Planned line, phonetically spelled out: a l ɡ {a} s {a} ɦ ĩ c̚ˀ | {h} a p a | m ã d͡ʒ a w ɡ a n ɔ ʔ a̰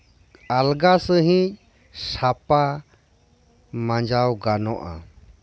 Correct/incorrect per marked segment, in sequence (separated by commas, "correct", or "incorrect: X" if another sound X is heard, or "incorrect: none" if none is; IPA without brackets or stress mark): correct, incorrect: ə, incorrect: s